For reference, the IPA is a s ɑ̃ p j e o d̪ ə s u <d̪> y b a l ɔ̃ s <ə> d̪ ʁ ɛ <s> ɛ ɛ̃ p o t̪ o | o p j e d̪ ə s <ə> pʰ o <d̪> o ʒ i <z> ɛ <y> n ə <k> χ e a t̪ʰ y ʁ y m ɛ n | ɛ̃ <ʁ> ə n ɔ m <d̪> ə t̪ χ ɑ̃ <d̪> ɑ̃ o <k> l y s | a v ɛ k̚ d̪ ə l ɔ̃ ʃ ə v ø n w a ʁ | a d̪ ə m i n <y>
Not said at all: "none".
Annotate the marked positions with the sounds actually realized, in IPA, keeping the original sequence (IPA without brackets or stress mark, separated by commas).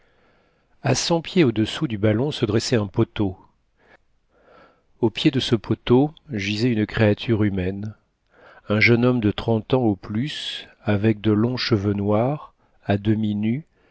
d̪, ə, s, ə, t̪, z, y, k, ʒ, d̪, t̪, p, y